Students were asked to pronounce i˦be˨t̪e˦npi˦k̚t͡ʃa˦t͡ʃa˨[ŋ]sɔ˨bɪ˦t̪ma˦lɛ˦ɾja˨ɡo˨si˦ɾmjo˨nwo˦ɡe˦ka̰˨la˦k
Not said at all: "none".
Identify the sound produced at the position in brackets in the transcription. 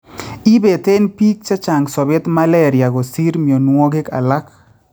ŋ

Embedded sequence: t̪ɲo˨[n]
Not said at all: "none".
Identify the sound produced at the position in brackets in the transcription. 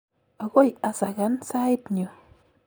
none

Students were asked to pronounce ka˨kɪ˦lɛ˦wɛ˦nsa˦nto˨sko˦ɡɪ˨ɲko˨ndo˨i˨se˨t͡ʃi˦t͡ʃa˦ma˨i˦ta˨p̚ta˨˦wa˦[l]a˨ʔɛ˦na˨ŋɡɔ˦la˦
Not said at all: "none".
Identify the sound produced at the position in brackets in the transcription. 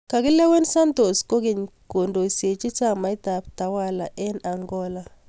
l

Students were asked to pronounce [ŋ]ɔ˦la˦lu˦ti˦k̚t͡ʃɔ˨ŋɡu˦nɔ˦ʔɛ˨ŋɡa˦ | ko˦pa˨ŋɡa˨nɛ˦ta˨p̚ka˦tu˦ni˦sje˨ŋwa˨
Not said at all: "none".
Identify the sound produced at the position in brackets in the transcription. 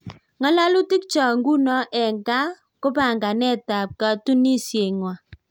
ŋ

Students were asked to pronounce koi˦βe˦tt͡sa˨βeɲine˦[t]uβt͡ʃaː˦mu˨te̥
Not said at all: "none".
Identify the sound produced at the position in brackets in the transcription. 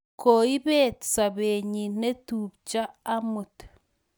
t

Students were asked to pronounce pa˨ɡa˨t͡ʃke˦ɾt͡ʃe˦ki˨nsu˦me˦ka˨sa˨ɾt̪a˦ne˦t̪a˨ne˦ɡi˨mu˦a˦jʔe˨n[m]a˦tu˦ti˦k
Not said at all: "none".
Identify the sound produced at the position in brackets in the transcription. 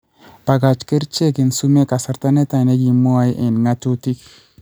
ŋ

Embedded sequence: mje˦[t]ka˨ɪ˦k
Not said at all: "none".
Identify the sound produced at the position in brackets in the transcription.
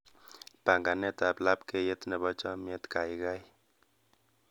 t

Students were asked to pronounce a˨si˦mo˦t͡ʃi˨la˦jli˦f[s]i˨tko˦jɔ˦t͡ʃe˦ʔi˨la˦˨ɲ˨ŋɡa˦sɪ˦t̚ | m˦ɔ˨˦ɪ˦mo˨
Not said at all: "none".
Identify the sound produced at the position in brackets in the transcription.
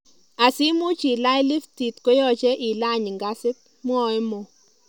t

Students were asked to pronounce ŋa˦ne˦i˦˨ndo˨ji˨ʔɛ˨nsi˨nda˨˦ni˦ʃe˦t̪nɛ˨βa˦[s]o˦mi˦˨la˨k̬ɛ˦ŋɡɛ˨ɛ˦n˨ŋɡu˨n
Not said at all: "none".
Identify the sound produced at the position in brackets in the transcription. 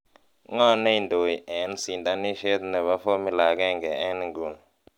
f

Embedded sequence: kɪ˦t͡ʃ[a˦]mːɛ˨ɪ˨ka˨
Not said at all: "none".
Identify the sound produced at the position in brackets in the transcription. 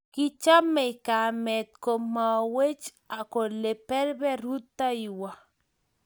a˦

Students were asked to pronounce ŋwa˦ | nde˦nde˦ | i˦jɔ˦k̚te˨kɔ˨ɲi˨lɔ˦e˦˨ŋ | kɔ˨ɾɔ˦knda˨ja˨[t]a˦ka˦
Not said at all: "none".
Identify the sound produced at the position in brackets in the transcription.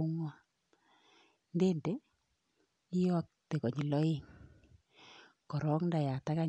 t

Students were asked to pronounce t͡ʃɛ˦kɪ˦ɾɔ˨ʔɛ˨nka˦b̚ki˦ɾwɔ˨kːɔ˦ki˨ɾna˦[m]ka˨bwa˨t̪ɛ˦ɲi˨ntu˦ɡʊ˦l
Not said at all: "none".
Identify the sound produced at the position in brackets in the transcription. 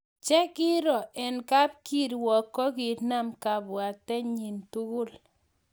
m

